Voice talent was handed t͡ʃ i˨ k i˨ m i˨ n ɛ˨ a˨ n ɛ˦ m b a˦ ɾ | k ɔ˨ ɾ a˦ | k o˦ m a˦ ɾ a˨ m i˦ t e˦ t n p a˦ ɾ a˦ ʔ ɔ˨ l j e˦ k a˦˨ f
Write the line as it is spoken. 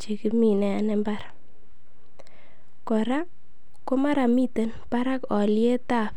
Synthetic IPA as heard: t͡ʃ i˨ k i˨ m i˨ n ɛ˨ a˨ n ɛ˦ m b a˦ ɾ | k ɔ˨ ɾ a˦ | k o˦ m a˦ ɾ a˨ m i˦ t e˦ n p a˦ ɾ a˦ k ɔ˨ l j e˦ t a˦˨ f